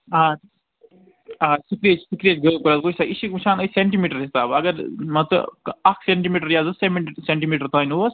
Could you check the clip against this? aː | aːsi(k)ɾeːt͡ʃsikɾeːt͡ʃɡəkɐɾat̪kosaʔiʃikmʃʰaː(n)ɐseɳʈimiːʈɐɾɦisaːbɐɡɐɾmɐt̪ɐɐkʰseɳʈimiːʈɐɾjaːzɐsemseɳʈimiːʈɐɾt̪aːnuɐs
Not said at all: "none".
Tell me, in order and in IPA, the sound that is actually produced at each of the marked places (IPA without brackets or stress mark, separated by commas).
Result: k, n